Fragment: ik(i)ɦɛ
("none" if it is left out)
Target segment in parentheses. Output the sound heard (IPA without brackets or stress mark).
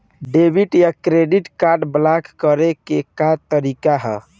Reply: a